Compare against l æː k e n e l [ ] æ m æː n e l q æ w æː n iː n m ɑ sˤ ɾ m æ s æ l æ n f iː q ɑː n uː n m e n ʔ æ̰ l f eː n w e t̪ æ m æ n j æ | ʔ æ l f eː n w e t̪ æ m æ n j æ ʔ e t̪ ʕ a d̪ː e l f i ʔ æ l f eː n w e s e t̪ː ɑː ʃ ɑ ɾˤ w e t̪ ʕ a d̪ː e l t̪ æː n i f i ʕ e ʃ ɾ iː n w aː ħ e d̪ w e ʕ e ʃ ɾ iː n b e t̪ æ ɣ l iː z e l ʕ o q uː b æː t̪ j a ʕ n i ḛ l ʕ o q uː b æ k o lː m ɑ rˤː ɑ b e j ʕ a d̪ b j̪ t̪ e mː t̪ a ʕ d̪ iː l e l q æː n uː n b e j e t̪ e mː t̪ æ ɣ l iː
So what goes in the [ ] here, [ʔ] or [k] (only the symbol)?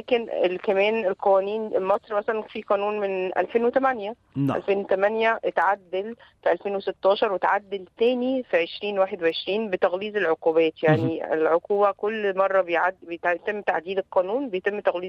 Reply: k